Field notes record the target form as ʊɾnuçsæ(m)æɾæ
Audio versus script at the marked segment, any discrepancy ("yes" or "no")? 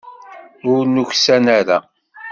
yes